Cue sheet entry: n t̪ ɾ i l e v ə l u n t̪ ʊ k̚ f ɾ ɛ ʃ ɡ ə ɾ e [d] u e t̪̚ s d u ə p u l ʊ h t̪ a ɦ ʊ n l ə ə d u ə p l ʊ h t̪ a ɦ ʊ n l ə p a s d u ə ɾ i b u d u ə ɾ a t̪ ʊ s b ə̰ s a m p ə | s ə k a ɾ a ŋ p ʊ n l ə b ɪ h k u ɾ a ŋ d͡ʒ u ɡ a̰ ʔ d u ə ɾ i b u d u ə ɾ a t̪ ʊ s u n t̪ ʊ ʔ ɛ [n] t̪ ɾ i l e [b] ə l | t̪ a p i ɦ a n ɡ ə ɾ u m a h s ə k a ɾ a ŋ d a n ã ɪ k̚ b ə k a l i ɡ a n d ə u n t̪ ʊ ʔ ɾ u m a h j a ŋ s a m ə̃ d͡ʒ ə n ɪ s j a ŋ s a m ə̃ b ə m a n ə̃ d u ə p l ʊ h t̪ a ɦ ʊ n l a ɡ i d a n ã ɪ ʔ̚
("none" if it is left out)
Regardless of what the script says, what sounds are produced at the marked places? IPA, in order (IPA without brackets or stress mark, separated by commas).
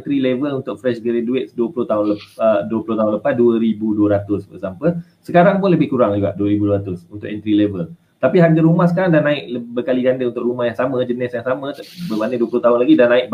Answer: d, n, v